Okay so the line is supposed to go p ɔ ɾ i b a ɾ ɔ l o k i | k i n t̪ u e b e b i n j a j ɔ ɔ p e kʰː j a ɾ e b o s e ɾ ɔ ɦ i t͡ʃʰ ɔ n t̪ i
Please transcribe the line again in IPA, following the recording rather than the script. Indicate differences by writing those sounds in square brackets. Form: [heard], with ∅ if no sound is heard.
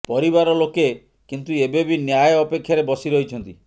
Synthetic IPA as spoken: p ɔ ɾ i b a ɾ ɔ l o k [e] | k i n t̪ u e b e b i n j a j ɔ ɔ p e kʰː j a ɾ e b [ɔ] s [i] ɾ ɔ ɦ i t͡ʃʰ ɔ n t̪ i